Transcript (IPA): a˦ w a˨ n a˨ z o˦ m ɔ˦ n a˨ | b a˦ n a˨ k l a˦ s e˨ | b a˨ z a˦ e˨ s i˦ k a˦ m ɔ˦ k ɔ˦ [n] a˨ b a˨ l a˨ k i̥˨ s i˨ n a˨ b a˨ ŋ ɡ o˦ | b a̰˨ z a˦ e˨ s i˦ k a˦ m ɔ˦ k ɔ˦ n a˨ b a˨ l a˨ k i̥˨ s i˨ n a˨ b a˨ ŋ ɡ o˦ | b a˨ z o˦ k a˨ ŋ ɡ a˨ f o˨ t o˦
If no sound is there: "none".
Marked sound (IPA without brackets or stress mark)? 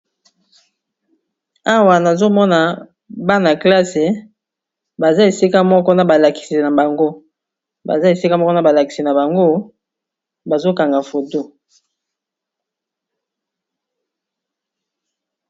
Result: n